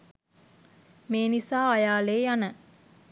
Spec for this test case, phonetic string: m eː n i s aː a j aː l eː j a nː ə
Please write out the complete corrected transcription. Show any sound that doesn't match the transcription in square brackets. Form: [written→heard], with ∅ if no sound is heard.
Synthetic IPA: m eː n i s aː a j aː l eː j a [nː→n] ə